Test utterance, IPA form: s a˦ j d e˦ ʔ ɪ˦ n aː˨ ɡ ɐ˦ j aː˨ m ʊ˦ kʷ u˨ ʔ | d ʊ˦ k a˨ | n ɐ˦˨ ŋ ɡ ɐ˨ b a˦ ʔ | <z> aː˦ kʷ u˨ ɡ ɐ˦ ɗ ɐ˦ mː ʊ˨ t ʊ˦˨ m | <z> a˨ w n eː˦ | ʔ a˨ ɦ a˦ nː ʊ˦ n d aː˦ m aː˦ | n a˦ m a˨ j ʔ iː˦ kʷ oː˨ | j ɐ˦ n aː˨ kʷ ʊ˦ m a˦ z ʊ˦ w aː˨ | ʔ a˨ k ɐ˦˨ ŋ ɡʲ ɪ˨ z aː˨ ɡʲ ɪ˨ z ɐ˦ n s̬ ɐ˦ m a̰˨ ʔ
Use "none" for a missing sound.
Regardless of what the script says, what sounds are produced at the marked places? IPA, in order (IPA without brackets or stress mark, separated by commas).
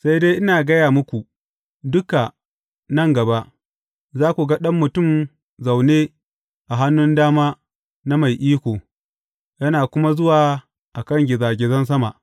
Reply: z, z